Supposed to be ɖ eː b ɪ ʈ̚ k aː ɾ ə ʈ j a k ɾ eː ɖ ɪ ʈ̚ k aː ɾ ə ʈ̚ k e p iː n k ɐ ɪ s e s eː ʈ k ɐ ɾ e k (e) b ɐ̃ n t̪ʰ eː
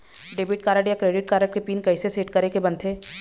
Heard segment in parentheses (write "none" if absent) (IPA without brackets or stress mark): e